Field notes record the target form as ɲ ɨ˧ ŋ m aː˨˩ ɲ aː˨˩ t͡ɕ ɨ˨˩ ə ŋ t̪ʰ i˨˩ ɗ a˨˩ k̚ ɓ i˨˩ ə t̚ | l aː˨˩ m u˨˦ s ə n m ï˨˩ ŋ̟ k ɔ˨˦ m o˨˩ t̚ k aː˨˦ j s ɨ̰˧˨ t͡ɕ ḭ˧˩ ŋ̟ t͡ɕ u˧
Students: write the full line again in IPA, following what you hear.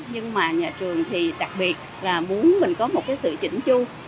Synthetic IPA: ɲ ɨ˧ ŋ m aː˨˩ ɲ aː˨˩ t͡ɕ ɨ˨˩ ə ŋ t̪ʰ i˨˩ ɗ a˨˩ k̚ ɓ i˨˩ ə t̚ | l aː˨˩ m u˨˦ ə n m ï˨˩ ŋ̟ k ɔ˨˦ m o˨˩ t̚ k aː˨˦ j s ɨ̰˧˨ t͡ɕ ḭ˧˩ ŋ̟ t͡ɕ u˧

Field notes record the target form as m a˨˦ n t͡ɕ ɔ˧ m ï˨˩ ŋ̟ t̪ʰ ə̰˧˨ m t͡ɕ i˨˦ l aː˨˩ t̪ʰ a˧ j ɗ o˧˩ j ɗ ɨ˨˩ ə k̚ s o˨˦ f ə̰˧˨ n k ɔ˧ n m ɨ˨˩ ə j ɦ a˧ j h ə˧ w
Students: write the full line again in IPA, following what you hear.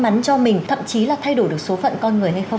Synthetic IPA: m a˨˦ n t͡ɕ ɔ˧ m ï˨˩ ŋ̟ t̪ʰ ə̰˧˨ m t͡ɕ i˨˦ l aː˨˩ t̪ʰ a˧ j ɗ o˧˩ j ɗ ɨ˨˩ ə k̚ s o˨˦ f ə̰˧˨ n k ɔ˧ n ŋ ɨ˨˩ ə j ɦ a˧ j x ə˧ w

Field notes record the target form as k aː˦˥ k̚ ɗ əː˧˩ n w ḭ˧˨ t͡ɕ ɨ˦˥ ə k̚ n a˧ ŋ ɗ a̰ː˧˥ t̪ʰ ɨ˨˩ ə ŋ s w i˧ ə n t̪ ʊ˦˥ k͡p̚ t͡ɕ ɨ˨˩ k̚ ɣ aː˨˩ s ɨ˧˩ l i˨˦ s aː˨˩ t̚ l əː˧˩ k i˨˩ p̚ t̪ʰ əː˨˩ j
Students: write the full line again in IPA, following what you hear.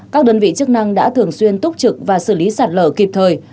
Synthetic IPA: k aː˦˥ k̚ ɗ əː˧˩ n v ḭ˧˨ t͡ɕ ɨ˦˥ ə k̚ n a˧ ŋ ɗ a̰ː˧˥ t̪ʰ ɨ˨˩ ə ŋ s w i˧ ə n t̪ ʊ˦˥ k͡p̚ t͡ɕ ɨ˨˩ k̚ v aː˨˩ s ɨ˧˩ l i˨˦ s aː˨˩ t̚ l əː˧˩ k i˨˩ p̚ t̪ʰ əː˨˩ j

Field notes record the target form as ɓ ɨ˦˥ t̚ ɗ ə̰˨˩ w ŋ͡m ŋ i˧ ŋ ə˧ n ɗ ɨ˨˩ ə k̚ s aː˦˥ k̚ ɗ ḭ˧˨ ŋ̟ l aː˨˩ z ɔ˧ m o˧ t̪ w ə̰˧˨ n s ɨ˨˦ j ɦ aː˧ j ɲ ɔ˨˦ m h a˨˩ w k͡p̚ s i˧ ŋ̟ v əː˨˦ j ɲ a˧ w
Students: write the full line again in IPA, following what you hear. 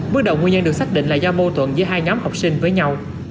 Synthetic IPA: ɓ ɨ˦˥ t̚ ɗ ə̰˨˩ w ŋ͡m ŋ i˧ ɲ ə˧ n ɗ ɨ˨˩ ə k̚ s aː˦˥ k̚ ɗ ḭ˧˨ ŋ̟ l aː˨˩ z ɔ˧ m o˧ t̪ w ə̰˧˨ n z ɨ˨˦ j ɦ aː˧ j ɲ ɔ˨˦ m h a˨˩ w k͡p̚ s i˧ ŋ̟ v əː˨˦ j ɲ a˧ w

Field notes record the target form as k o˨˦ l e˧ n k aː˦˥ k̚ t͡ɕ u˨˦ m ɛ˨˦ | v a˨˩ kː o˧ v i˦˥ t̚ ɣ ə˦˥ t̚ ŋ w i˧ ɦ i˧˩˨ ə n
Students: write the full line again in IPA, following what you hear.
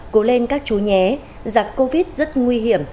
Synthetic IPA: k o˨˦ l e˧ n k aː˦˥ k̚ t͡ɕ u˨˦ ɲ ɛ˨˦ | z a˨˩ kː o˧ v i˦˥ t̚ z ə˦˥ t̚ ŋ w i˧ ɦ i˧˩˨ ə m

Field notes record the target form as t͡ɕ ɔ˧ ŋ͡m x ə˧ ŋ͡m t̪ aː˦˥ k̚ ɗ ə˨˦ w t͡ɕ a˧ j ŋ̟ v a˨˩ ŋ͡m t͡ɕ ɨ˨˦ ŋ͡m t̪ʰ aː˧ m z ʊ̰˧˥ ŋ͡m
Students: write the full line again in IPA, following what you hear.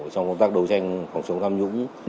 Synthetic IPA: t͡ɕ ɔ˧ ŋ͡m k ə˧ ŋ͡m t̪ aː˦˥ k̚ ɗ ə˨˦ w t͡ɕ a˧ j ŋ̟ f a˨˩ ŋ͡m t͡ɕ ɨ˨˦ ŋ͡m t̪ʰ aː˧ m z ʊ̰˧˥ ŋ͡m

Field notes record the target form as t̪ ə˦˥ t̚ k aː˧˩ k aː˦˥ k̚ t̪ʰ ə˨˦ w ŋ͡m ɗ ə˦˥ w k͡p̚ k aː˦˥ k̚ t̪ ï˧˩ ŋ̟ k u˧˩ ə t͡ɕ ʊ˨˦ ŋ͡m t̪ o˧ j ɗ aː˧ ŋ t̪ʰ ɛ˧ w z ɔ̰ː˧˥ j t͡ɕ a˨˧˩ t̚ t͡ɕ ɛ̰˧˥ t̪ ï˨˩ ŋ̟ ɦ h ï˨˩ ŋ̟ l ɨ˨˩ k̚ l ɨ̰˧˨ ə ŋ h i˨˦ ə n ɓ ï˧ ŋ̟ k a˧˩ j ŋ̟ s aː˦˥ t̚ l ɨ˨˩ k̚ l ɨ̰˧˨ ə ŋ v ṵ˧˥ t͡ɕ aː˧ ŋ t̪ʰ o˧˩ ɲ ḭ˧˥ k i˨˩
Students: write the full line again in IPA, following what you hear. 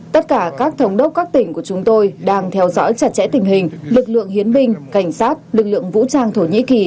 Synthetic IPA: t̪ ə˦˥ t̚ k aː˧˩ k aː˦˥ k̚ t̪ʰ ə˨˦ w ŋ͡m ɗ ə˦˥ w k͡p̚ k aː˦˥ k̚ t̪ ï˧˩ ŋ̟ k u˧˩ ə t͡ɕ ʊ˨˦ ŋ͡m t̪ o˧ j ɗ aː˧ ŋ t̪ʰ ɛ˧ w z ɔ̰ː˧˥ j t͡ɕ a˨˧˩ t̚ t͡ɕ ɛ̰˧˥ t̪ ï˨˩ ŋ̟ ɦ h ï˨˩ ŋ̟ l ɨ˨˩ k̚ l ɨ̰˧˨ ə ŋ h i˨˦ ə n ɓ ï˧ ŋ̟ k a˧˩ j ŋ̟ s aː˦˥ t̚ l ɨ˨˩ k̚ l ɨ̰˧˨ ə ŋ v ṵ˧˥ t͡ɕ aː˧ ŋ t̪ʰ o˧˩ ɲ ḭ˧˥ k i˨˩

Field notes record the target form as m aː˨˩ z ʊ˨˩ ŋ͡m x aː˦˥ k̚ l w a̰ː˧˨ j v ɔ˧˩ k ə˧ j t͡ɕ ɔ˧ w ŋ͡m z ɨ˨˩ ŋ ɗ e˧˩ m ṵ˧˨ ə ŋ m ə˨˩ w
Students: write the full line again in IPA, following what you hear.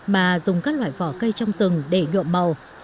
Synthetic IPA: m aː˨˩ z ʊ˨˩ ŋ͡m k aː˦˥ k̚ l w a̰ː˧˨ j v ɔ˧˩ k ə˧ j t͡ɕ ɔ˧ w ŋ͡m z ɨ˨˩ ŋ ɗ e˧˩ ɲ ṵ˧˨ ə m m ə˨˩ w

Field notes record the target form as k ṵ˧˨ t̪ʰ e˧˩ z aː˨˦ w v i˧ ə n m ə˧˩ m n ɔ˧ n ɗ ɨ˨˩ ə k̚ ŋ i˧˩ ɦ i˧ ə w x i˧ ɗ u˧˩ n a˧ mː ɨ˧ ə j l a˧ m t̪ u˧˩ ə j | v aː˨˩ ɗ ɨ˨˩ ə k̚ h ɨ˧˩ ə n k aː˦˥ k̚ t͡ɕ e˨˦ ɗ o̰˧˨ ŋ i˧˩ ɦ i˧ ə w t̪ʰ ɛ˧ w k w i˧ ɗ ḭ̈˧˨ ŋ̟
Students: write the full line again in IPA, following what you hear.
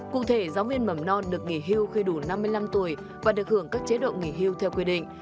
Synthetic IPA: k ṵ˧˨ t̪ʰ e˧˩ z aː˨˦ w v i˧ ə n m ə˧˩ m n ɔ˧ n ɗ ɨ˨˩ ə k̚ ŋ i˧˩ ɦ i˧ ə w x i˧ ɗ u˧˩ n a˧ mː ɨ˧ ə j l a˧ m t̪ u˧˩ ə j | v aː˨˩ ɗ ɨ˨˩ ə k̚ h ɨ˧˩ ə ŋ k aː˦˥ k̚ t͡ɕ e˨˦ ɗ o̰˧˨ ŋ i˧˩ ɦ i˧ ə w t̪ʰ ɛ˧ w k w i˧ ɗ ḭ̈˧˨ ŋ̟

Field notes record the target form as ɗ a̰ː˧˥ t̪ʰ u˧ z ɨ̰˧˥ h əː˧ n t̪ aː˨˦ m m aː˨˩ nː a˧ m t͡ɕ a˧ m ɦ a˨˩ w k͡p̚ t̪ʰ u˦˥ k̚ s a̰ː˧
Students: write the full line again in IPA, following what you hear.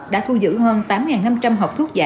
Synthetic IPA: ɗ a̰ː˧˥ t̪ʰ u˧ z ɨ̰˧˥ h əː˧ n t̪ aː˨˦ m ŋ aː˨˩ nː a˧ m t͡ɕ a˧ m ɦ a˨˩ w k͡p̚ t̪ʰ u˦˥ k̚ z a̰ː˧

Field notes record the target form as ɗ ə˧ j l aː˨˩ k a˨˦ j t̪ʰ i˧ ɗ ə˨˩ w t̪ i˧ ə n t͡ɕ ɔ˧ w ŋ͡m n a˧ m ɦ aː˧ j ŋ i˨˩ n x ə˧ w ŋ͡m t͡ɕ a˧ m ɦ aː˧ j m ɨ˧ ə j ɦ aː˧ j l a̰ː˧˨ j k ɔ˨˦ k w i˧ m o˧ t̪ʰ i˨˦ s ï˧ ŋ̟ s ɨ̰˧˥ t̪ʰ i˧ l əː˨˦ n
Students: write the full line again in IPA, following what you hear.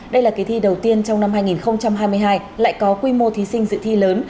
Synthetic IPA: ɗ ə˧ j l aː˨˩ k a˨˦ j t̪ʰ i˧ ɗ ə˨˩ w t̪ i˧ ə n t͡ɕ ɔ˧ w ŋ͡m n a˧ m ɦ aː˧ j ŋ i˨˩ n x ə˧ w ŋ͡m t͡ɕ a˧ m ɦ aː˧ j m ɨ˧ ə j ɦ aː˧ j l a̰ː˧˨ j k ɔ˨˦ k w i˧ m o˧ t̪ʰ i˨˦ s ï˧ ŋ̟ z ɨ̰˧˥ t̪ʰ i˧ l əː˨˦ n

